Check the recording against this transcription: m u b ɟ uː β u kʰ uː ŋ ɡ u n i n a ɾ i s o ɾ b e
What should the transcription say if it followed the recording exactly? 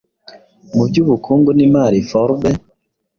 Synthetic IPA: m u b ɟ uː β u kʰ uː ŋ ɡ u n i m a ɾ i f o ɾ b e